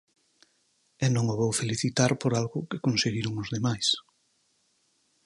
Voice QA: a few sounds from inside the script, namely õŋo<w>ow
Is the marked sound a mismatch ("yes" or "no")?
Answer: yes